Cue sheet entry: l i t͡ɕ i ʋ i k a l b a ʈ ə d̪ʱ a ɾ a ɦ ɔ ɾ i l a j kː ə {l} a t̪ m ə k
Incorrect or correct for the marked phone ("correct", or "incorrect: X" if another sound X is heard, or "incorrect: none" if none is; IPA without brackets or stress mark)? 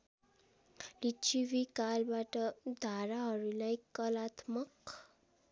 correct